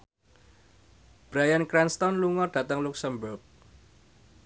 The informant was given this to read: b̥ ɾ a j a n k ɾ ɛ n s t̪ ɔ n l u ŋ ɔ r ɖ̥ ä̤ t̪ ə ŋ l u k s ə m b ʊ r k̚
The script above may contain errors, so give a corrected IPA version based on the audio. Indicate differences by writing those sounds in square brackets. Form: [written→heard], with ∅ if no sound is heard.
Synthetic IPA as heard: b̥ ɾ a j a n k ɾ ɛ n s t̪ ɔ n l u ŋ ɔ r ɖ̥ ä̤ t̪ ə ŋ l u k s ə m b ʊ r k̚